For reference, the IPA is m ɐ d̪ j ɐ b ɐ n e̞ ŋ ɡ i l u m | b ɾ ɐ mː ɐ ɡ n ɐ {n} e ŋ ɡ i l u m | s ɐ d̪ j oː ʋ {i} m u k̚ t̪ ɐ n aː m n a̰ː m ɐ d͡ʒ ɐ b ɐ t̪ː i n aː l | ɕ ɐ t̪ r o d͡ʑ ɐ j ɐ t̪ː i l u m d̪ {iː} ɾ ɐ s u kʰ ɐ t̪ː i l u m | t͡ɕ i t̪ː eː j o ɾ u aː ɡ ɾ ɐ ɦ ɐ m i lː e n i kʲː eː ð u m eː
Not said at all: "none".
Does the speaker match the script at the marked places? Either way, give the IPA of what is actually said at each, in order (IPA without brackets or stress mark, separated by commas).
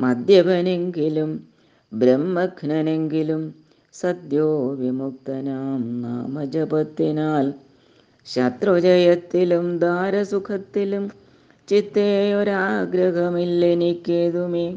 n, i, aː